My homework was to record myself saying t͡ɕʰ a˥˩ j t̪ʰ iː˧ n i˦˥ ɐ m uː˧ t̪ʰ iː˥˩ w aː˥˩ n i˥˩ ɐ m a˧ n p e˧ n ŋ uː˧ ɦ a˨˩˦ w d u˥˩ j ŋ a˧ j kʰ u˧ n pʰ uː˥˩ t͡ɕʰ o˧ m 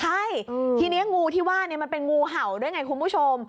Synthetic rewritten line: t͡ɕʰ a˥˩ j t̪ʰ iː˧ n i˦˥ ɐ ŋ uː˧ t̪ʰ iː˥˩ w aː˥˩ n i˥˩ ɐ m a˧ n p e˧ n ŋ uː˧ ɦ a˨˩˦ w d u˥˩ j ŋ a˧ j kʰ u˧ n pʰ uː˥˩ t͡ɕʰ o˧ m